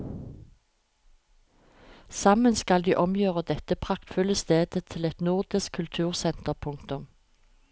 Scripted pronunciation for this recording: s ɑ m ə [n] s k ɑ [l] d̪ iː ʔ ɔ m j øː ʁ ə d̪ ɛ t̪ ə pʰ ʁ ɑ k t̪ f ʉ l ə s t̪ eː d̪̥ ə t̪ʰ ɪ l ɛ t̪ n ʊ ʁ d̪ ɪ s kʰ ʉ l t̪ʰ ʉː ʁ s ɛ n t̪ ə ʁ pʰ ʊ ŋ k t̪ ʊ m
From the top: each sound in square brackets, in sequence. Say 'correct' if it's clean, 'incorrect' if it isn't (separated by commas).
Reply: correct, correct